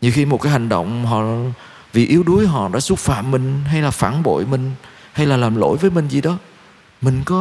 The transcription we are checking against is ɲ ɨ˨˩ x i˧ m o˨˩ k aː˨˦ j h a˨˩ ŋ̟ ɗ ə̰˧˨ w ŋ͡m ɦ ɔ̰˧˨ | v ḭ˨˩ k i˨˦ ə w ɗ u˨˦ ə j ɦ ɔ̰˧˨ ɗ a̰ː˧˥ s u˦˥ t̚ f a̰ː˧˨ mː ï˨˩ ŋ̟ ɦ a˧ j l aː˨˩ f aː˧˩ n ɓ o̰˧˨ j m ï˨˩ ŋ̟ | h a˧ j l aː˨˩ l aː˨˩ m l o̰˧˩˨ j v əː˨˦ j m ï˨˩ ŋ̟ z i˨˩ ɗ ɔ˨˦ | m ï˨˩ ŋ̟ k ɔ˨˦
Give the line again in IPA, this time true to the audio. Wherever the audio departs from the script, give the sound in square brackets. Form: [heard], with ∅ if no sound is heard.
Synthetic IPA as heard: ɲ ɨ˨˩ x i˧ m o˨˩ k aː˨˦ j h a˨˩ ŋ̟ ɗ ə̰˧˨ w ŋ͡m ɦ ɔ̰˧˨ | v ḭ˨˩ [ʔ] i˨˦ ə w ɗ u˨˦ ə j ɦ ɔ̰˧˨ ɗ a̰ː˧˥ s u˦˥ t̚ f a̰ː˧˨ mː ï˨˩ ŋ̟ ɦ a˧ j l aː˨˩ f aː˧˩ n ɓ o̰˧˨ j m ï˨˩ ŋ̟ | h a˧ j l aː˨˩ l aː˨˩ m l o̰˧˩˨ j v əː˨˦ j m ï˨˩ ŋ̟ z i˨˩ ɗ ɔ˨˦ | m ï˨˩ ŋ̟ k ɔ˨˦